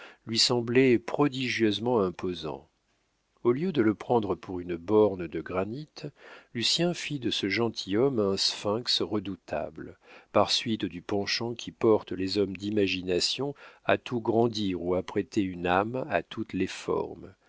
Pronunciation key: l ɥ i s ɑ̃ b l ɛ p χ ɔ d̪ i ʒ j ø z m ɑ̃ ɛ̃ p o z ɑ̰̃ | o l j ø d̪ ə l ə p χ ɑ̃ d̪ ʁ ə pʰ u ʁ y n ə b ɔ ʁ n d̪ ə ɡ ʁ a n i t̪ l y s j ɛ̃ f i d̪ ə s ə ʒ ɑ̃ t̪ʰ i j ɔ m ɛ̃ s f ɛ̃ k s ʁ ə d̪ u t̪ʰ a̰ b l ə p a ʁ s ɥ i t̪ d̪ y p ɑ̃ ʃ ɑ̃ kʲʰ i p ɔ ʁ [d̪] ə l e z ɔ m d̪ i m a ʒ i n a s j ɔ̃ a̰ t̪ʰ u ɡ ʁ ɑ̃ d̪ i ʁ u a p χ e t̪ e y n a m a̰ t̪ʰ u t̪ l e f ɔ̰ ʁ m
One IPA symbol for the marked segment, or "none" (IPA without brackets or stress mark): t̪